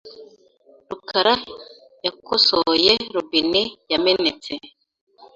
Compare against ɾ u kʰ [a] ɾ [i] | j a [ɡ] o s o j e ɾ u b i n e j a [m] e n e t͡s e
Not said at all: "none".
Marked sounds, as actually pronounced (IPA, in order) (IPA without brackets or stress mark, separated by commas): a, a, k, m